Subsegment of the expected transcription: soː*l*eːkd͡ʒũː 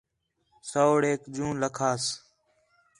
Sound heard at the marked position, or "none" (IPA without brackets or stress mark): ɽ